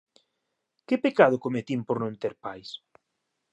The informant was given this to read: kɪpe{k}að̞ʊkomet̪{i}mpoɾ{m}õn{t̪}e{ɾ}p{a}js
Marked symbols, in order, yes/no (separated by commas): yes, yes, no, yes, yes, yes